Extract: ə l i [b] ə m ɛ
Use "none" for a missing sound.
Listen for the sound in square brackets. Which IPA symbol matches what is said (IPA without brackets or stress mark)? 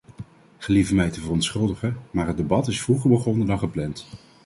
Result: v